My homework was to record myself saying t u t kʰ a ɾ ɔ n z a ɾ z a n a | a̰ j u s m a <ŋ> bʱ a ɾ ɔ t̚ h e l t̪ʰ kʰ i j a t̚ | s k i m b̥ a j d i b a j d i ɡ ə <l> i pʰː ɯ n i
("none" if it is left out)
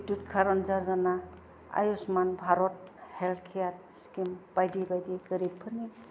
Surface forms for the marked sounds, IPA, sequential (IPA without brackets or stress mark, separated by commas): n, ɾ